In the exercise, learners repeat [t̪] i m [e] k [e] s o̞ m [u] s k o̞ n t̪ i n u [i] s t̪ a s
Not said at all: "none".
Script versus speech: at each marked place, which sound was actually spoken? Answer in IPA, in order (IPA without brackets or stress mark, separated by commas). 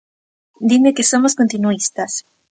d̪, e, e, o, i